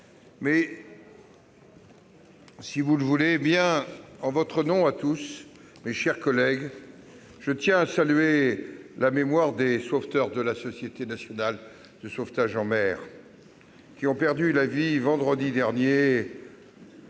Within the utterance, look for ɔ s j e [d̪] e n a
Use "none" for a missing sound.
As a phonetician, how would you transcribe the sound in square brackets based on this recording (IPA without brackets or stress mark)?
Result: t̪